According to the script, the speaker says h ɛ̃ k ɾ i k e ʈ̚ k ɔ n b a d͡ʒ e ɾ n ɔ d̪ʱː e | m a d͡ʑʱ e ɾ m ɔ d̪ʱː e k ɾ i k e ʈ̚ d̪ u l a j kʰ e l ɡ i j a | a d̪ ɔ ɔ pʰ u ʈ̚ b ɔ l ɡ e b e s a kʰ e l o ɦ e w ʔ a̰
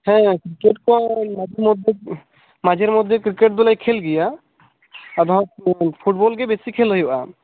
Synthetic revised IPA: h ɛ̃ k ɾ i k e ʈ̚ k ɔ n m a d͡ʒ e ɾ m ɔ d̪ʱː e | m a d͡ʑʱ e ɾ m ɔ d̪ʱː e k ɾ i k e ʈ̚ d̪ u l a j kʰ e l ɡ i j a | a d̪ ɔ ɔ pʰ u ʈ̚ b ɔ l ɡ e b e s i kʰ e l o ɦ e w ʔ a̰